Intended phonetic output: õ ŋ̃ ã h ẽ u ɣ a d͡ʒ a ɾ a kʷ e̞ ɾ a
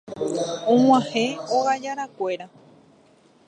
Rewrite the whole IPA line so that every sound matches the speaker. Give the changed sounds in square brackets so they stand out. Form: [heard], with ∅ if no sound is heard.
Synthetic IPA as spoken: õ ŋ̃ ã h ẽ [o] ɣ a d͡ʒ a ɾ a kʷ e̞ ɾ a